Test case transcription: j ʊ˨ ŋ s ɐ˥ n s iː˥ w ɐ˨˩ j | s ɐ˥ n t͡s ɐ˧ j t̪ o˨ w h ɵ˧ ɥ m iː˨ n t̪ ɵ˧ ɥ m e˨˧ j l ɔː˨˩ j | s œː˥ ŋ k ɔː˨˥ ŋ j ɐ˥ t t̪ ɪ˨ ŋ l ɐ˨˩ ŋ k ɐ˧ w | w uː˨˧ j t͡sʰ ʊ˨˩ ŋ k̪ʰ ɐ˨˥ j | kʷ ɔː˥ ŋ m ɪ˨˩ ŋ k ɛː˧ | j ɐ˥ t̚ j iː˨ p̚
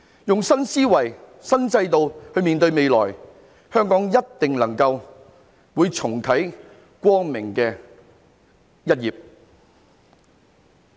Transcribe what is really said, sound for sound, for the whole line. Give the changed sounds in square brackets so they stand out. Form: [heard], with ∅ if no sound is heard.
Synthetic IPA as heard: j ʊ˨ ŋ s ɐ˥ n s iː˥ w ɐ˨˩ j | s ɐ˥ n t͡s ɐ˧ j t̪ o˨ w h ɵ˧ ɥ m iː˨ n t̪ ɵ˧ ɥ m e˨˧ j l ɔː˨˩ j | [h] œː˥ ŋ k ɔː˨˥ ŋ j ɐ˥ t t̪ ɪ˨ ŋ l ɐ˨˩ ŋ k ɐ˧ w | w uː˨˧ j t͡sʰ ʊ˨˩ ŋ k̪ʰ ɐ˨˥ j | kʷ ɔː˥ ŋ m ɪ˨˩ ŋ k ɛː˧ | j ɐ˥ t̚ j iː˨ p̚